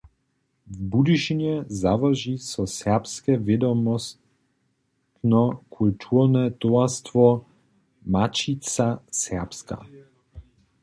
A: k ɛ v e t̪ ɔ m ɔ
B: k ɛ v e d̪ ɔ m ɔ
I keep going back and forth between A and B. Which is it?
B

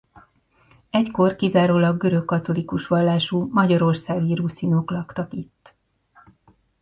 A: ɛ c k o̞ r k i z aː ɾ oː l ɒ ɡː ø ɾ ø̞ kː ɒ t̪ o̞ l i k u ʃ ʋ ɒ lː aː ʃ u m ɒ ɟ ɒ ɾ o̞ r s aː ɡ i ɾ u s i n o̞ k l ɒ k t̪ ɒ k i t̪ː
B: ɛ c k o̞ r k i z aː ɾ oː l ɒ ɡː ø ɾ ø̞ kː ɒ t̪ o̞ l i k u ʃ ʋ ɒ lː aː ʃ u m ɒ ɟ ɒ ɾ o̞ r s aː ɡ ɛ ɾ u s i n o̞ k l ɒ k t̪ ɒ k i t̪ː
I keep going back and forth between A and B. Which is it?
A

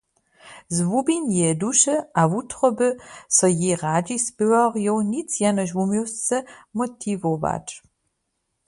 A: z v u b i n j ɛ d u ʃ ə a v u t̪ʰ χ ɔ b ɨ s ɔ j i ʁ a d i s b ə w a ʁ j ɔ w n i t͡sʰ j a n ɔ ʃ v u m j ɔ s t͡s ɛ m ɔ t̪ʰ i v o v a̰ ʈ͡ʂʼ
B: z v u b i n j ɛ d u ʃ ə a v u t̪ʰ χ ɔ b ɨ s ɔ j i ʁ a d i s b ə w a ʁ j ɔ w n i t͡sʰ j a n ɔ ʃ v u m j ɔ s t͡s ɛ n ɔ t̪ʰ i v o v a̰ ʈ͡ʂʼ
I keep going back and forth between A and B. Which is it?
A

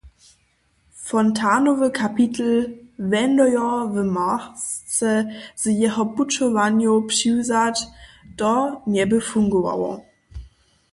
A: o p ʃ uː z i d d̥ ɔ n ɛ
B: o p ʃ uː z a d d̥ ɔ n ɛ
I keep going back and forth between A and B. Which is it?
B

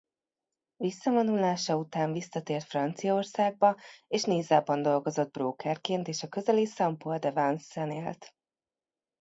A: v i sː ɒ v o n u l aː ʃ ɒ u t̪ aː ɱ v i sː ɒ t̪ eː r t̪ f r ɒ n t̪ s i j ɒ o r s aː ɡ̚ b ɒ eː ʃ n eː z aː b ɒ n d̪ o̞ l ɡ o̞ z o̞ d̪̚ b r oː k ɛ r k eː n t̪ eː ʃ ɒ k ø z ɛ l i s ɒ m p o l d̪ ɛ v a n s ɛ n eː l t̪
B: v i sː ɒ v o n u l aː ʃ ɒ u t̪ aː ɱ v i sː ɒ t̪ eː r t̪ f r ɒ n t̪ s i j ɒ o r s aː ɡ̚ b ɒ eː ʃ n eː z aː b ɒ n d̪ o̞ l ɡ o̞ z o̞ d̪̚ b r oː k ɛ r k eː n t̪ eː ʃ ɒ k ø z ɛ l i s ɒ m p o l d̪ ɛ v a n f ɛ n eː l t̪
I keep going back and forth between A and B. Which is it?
A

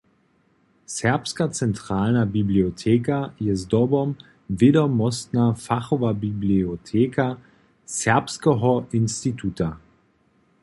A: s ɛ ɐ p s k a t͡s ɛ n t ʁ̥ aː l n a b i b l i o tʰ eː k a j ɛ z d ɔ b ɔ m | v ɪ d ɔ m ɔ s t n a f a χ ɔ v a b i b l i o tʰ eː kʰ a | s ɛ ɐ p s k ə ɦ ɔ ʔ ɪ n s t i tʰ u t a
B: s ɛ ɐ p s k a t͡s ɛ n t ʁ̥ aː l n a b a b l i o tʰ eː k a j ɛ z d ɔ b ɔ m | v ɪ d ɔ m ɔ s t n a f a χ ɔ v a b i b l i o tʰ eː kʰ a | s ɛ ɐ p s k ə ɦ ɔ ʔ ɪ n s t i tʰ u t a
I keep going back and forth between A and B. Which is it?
A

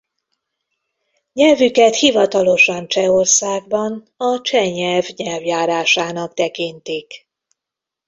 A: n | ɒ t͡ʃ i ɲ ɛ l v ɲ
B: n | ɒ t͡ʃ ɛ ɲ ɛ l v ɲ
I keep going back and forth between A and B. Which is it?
B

